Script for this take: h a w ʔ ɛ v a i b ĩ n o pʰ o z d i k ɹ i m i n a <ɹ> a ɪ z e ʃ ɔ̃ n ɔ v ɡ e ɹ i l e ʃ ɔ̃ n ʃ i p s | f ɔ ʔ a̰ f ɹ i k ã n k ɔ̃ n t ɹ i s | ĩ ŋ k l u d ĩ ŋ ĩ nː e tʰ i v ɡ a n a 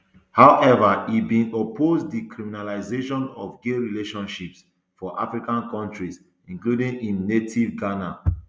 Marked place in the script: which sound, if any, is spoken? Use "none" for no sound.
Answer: l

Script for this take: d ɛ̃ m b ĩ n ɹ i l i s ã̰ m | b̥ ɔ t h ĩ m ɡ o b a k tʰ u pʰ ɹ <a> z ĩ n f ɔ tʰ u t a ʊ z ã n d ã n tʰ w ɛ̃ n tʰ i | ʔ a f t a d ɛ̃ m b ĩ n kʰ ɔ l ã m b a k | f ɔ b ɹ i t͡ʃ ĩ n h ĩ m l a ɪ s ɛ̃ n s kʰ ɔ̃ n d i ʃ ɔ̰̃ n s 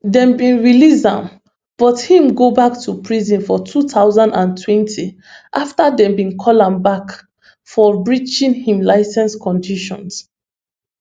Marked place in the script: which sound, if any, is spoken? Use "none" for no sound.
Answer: i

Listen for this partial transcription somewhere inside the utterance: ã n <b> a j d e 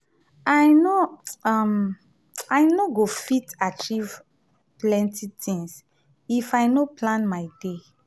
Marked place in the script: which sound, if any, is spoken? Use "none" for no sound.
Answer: m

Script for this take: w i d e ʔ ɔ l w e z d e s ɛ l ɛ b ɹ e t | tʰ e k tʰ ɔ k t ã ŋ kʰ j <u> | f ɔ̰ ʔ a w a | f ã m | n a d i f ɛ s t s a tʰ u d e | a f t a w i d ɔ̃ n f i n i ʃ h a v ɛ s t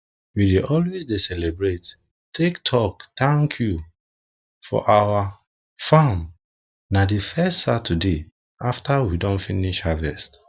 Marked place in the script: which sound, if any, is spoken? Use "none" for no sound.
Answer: u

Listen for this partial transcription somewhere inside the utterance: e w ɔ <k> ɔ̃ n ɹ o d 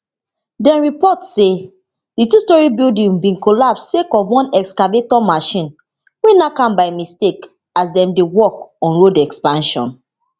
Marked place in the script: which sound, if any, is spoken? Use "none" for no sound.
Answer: k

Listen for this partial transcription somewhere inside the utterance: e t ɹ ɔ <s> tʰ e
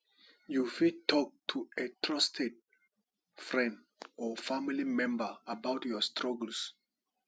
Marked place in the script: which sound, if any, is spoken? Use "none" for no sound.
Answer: s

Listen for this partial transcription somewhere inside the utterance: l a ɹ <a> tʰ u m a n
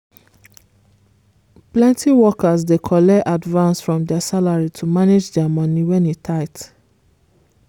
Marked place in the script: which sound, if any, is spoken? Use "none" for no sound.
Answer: i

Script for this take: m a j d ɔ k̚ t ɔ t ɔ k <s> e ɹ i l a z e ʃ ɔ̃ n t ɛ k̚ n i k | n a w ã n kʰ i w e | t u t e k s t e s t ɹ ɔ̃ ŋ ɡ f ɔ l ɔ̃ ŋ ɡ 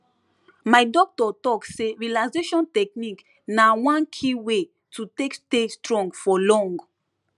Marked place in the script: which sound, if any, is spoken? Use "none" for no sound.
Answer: s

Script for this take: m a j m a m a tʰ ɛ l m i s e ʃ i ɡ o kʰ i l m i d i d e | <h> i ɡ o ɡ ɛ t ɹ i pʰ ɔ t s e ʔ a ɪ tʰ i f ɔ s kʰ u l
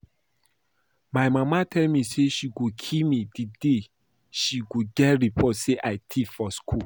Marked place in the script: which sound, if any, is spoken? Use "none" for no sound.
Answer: ʃ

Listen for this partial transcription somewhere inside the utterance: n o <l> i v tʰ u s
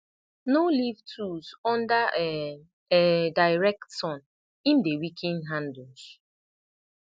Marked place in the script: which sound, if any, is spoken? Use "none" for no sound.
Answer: l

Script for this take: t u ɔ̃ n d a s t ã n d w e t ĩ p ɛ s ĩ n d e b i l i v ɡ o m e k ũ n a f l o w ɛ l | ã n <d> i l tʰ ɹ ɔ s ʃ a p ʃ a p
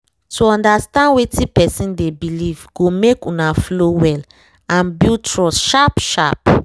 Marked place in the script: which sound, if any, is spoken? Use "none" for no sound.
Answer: b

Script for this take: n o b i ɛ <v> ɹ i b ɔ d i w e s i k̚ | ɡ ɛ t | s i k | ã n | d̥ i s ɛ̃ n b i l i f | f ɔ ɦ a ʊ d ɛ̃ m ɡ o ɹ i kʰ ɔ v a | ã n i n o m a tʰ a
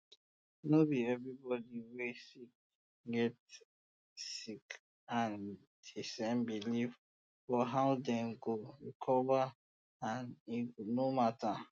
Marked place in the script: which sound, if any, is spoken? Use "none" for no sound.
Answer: v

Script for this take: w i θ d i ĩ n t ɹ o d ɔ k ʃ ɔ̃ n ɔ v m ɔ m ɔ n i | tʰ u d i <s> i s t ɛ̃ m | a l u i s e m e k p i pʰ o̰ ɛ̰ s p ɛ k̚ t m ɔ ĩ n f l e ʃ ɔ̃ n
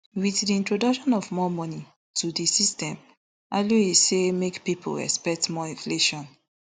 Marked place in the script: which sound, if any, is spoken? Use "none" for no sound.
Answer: s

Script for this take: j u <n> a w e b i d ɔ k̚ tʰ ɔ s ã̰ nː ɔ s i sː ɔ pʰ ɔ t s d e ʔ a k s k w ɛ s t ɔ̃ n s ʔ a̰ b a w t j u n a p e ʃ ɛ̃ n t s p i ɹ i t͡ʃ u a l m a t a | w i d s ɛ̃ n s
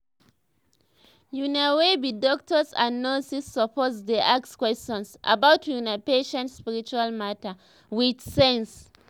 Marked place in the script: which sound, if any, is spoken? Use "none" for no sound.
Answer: n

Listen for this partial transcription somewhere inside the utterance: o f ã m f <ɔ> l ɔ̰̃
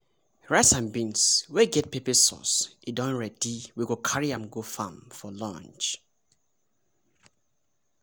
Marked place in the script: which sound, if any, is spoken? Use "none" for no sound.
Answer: ɔ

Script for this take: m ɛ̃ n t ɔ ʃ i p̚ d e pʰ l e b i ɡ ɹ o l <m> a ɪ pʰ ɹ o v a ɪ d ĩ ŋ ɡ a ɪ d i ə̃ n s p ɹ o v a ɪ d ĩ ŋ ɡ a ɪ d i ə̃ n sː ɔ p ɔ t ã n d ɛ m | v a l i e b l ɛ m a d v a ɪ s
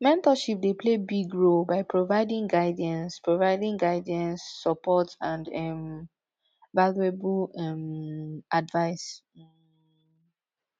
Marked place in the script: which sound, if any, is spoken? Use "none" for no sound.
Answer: b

